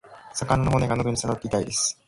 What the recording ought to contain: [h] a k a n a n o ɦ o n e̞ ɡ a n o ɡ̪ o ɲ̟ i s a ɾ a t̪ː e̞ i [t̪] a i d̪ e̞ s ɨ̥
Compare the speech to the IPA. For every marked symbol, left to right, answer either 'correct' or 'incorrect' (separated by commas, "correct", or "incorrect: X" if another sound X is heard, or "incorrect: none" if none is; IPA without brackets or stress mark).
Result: incorrect: s, correct